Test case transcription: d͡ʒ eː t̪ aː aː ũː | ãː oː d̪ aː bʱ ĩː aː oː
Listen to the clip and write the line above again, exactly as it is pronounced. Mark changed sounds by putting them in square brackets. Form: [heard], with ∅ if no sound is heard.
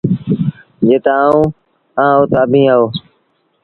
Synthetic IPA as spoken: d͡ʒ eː t̪ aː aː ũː | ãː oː [t̪] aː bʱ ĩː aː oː